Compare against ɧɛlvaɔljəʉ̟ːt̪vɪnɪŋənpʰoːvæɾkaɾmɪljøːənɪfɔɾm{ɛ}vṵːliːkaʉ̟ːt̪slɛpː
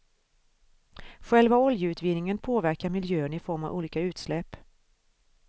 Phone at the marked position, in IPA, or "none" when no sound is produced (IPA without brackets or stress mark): a